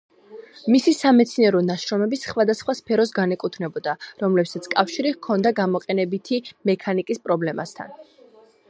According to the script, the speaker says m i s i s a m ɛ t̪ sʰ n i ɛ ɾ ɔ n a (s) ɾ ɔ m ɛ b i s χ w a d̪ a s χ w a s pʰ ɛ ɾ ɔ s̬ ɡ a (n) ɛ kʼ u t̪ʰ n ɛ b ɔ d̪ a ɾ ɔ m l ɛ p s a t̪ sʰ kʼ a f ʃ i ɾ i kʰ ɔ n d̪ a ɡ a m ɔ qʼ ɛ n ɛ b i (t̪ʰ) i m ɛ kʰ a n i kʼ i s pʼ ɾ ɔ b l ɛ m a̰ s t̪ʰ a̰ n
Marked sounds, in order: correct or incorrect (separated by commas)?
incorrect, correct, correct